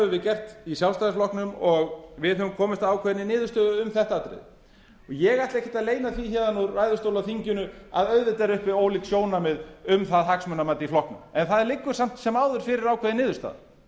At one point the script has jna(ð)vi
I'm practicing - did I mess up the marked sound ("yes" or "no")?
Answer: yes